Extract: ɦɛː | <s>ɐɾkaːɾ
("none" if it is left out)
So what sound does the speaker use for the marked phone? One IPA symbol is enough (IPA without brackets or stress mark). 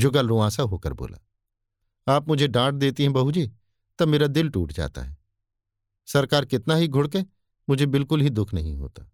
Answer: s